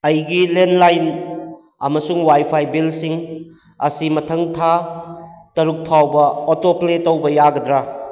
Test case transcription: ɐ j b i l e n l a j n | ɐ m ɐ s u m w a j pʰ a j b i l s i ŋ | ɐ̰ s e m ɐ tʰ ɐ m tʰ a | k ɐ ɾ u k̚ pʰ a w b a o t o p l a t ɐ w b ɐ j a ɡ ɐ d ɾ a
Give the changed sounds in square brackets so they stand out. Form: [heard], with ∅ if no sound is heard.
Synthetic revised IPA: ɐ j [ɡ] i l e n l a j n | ɐ m ɐ s u [ŋ] w a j pʰ a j b i l s i ŋ | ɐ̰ s [i] m ɐ tʰ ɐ [ŋ] tʰ a | [t] ɐ ɾ u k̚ pʰ a w b [ɐ] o t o p l [e] t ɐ w b ɐ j a ɡ ɐ d ɾ a